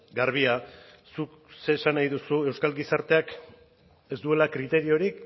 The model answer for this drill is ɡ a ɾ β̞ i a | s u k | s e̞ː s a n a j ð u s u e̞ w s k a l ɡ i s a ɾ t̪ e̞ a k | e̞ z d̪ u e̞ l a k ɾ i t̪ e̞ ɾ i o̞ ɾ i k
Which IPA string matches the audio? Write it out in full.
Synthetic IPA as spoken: ɡ a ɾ β̞ i a | s u k | s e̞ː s a n a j ð u s u e̞ w s k a l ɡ i s a ɾ t̪ e̞ a k | e̞ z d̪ u e̞ l a k ɾ i t̪ e̞ ɾ i o̞ ɾ i k